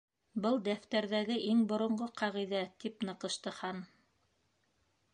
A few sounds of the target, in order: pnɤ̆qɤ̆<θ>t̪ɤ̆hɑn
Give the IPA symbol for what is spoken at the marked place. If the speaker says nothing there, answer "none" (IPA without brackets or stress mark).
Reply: ʃ